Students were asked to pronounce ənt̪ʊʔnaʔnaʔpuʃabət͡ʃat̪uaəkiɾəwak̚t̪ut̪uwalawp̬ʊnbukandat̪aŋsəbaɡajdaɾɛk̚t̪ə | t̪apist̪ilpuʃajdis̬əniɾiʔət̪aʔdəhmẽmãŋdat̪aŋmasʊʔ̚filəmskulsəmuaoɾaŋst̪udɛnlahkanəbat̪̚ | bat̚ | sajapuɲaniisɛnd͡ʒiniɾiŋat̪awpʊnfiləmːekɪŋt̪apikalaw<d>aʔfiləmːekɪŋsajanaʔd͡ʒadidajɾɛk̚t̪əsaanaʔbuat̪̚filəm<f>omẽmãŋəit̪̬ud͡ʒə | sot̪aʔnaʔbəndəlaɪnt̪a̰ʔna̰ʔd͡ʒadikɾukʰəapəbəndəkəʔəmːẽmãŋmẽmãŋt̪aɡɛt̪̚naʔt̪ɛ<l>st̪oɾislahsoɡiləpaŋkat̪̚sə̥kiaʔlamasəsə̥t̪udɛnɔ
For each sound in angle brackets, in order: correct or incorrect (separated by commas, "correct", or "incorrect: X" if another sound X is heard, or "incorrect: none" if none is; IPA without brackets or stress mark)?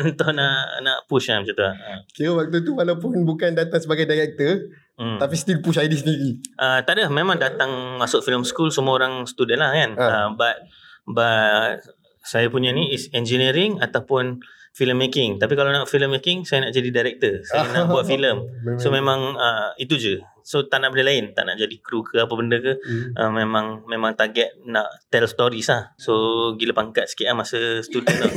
incorrect: n, incorrect: s, correct